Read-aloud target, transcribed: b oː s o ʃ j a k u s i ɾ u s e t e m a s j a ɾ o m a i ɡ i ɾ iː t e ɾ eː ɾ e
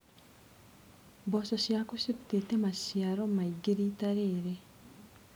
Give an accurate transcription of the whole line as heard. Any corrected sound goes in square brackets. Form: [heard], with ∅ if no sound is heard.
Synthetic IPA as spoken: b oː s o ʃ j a k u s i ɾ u [t] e t e m a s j a ɾ o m a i ɡ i ɾ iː t [a] ɾ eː ɾ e